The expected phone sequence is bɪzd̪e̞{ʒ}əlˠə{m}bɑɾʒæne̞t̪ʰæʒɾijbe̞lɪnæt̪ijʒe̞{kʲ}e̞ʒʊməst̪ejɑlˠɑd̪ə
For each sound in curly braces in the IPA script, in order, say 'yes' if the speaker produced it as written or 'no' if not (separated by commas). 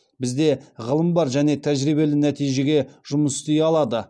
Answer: no, yes, no